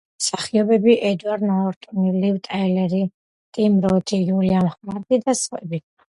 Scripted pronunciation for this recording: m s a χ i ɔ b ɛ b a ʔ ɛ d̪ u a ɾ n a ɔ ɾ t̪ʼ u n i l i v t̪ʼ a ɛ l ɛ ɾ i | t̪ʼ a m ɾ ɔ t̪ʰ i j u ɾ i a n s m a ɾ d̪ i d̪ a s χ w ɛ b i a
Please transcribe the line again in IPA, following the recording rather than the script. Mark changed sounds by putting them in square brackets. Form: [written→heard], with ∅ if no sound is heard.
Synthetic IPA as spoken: m s a χ i ɔ b ɛ b [a→i] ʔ ɛ d̪ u a ɾ n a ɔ ɾ t̪ʼ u n i l i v t̪ʼ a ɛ l ɛ ɾ i | t̪ʼ [a→i] m ɾ ɔ t̪ʰ i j u [ɾ→l] i a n [s→χ] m a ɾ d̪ i d̪ a s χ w ɛ b i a